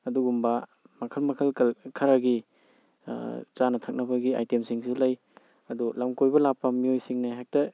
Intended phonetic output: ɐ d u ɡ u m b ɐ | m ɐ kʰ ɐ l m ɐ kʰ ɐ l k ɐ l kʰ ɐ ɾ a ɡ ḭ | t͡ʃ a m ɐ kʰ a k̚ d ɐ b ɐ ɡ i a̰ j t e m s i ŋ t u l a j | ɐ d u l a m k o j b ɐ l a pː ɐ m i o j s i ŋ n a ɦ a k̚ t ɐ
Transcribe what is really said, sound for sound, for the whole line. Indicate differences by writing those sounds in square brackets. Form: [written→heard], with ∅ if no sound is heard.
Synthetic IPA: ɐ d u ɡ u m b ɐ | m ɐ kʰ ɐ l m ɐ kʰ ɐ l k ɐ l kʰ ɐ ɾ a ɡ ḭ | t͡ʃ a [m→n] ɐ [kʰ→tʰ] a k̚ [d→n] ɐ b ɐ ɡ i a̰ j t e m s i ŋ [t→s] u l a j | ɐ d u l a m k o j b ɐ l a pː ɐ m i o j s i ŋ n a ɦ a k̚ t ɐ